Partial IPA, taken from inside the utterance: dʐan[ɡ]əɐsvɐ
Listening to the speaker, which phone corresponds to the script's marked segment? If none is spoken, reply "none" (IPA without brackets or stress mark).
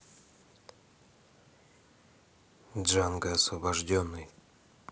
ɡ